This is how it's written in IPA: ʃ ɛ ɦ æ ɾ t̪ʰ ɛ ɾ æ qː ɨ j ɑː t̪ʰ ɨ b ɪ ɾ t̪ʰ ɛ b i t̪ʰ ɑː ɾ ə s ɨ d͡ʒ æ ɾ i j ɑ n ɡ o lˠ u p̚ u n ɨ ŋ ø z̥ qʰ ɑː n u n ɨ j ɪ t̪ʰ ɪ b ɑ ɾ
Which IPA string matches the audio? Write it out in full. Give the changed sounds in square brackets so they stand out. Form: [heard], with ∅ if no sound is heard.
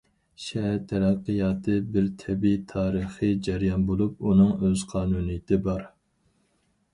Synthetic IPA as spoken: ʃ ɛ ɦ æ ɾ t̪ʰ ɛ ɾ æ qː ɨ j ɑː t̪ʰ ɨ b ɪ ɾ t̪ʰ ɛ b i t̪ʰ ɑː ɾ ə [χ] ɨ d͡ʒ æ ɾ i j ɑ n [b] o lˠ u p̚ u n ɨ ŋ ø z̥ qʰ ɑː n u n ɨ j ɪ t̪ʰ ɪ b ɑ ɾ